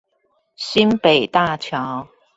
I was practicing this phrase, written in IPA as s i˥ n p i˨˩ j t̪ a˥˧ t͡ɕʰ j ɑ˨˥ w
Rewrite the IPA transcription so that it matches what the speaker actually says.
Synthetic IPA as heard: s i˥ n p e˨˩ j t̪ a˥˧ t͡ɕʰ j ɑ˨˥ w